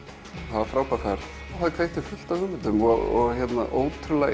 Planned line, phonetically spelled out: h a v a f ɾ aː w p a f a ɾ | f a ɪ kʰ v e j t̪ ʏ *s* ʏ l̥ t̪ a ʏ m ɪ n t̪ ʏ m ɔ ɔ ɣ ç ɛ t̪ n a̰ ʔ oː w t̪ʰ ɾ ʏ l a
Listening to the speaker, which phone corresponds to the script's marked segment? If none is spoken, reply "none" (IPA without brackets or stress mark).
f